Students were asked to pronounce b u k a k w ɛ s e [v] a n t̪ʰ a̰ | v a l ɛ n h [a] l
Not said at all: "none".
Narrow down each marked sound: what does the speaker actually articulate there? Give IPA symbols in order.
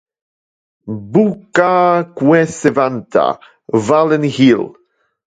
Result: v, i

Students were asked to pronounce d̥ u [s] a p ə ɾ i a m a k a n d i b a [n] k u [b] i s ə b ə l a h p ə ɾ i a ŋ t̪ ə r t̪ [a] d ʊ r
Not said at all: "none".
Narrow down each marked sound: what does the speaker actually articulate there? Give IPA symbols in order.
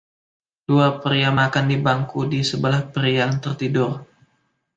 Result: none, ŋ, d, i

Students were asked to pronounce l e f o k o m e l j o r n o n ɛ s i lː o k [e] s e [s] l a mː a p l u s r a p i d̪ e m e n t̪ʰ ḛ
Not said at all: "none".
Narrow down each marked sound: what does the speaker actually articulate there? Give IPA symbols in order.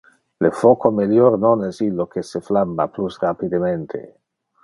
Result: e, f

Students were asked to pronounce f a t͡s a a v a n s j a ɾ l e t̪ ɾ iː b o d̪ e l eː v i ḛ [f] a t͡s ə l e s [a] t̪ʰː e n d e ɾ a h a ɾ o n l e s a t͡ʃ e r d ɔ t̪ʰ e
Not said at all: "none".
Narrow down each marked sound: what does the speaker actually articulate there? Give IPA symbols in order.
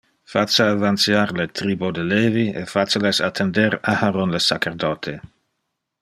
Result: f, a

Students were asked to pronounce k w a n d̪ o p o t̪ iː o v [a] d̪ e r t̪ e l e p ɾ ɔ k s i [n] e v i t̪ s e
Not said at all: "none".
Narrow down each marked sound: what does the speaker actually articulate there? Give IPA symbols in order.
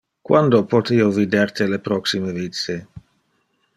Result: i, m

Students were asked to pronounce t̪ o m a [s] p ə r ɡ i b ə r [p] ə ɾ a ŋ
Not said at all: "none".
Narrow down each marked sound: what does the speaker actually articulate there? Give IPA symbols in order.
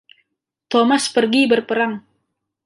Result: s, p

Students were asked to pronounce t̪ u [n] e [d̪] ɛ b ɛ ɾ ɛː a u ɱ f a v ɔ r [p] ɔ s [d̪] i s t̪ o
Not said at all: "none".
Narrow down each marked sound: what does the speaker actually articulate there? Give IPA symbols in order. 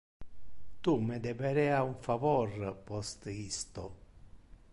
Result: m, d̪, p, t̪

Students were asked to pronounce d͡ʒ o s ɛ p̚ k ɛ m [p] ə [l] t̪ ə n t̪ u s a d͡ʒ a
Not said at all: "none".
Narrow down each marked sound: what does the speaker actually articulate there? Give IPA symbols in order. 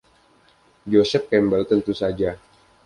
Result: b, l

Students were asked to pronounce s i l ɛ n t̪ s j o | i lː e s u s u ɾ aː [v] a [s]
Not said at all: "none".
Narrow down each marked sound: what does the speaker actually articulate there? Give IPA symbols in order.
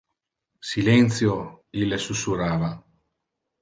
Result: v, none

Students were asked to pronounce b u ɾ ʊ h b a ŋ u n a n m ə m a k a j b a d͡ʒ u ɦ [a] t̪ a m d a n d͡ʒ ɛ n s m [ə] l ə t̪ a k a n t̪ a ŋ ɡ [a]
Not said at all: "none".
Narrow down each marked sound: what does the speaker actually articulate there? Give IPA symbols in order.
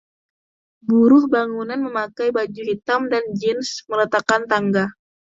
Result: i, ə, a

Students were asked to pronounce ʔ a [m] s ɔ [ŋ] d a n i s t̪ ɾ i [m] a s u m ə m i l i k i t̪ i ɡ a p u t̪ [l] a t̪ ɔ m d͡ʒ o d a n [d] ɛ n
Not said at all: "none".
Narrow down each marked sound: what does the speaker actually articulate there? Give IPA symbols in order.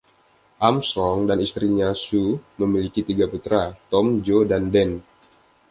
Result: m, ŋ, ɲ, ɾ, d

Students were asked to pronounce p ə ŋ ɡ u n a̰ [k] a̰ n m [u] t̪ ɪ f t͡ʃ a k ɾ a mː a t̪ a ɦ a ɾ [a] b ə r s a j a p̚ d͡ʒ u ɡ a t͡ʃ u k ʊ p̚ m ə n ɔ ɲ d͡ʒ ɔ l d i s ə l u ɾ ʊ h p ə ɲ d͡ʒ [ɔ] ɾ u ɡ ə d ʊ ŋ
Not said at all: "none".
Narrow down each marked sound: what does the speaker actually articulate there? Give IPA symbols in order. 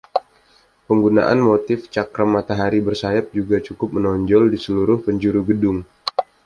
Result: ʔ, o, i, u

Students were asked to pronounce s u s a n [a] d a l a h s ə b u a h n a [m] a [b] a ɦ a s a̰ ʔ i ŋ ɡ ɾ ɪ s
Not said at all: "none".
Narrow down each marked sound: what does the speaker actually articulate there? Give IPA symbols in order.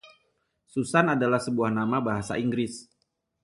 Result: a, m, b

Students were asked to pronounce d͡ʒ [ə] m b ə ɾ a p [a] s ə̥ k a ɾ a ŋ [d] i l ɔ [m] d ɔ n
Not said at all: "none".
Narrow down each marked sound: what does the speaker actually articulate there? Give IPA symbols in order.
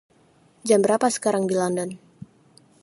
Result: a, a, d, n

